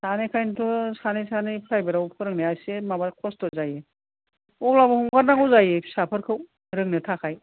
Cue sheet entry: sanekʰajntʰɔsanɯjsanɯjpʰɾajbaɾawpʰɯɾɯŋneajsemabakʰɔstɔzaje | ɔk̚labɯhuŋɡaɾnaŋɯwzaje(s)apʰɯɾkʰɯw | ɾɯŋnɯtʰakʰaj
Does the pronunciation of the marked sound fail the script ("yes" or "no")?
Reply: no